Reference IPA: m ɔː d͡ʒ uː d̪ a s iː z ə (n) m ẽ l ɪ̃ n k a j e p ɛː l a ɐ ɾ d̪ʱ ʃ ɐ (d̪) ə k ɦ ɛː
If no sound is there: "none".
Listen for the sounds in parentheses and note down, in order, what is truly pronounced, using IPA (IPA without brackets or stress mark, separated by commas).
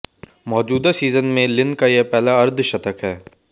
n, t̪